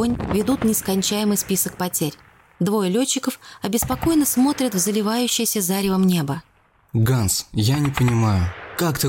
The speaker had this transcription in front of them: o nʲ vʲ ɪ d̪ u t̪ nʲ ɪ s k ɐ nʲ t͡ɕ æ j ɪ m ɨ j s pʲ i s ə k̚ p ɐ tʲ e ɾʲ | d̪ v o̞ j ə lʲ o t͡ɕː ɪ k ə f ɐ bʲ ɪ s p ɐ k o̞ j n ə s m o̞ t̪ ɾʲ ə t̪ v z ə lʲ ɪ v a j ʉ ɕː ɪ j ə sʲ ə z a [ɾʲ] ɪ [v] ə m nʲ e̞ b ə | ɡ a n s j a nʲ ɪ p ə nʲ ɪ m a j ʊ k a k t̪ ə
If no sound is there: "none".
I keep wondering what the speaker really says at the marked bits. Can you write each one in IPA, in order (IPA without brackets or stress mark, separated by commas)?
ɾʲ, v